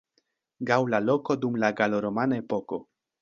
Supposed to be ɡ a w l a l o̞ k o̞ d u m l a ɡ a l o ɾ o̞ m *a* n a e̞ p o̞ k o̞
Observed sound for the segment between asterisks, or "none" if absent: a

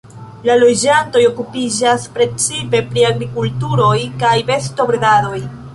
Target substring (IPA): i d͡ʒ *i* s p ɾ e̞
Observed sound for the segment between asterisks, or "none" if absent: a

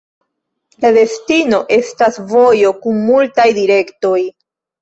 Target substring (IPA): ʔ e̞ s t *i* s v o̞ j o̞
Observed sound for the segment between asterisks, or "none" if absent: a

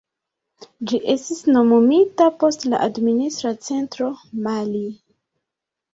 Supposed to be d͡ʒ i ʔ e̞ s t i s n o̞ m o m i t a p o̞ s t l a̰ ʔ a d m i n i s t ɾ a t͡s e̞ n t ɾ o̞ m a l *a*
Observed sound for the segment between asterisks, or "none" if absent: i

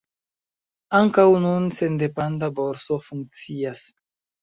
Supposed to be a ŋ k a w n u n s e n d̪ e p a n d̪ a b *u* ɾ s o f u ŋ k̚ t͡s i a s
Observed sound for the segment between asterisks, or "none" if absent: o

